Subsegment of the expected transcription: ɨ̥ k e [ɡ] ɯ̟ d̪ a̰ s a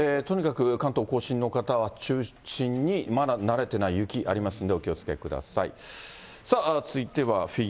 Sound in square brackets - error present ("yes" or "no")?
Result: yes